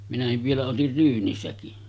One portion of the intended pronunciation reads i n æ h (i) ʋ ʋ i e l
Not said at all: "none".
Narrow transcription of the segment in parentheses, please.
i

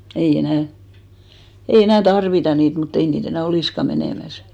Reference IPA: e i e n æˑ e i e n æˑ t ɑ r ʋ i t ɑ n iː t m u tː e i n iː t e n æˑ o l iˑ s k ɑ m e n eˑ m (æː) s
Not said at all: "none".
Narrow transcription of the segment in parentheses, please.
æ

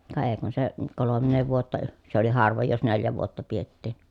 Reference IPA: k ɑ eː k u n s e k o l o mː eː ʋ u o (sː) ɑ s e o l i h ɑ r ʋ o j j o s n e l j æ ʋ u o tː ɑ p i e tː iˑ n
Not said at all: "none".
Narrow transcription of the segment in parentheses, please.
tː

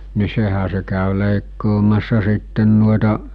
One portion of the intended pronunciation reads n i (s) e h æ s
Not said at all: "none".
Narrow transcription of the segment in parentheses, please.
s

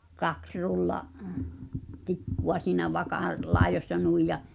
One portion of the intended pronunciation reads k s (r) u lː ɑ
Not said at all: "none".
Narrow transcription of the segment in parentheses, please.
r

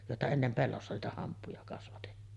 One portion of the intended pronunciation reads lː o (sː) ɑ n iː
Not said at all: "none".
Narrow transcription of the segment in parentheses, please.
sː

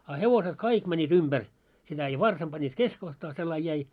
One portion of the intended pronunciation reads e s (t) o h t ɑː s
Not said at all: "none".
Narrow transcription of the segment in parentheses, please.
k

